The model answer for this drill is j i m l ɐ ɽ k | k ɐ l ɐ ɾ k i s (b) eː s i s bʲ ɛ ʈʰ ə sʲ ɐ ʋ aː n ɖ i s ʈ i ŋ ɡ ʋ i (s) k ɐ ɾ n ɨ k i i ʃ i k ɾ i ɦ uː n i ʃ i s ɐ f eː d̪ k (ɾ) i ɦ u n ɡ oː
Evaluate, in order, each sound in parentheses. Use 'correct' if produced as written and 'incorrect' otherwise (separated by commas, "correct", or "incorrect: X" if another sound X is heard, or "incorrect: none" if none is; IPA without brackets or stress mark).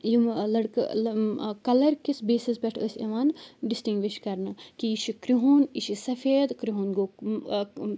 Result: correct, incorrect: ʃ, correct